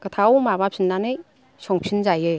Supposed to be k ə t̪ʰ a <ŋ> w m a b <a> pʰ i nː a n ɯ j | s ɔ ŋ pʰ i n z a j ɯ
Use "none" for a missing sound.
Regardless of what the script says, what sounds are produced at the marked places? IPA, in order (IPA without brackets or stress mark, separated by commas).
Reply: none, a